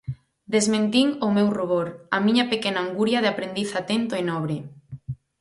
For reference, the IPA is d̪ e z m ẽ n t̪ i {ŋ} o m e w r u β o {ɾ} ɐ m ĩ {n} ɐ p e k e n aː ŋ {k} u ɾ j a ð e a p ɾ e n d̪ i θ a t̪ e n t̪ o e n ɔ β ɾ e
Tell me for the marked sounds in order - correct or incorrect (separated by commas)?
correct, correct, incorrect, incorrect